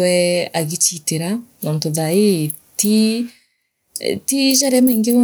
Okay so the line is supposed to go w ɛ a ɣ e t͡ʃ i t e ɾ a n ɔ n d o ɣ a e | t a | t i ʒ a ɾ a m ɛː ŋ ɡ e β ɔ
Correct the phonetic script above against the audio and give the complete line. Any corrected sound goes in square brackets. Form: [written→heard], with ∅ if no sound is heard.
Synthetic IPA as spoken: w ɛ a ɣ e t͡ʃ i t e ɾ a n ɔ n [d→t] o [ɣ→ð] a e | t [a→i] | t i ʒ a ɾ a m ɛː ŋ ɡ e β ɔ